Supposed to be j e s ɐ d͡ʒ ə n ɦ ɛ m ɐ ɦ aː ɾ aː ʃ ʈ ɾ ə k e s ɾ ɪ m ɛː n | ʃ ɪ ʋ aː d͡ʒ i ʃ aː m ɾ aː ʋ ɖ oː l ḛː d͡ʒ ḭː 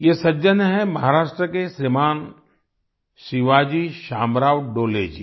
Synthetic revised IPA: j e s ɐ d͡ʒ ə n ɦ ɛ m ɐ ɦ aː ɾ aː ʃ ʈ ɾ ə k e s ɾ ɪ m aː n | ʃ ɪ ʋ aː d͡ʒ i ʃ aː m ɾ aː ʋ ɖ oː l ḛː d͡ʒ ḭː